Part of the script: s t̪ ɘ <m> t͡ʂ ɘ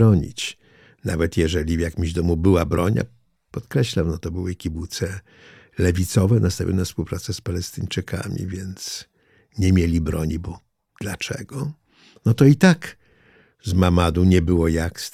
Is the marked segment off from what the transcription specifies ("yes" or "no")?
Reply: yes